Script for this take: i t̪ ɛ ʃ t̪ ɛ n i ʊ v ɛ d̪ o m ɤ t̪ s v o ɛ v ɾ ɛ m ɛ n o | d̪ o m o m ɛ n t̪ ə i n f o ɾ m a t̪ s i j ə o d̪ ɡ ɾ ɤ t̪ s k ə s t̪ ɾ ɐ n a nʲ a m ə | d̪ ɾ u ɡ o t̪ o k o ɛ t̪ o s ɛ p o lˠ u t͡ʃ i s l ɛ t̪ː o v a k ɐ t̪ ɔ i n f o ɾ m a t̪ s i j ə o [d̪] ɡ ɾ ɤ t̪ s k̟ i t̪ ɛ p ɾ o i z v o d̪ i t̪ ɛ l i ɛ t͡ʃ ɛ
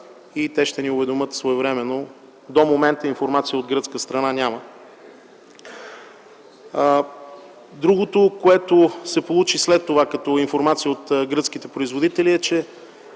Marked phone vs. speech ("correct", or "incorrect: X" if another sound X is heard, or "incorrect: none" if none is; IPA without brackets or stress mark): incorrect: t̪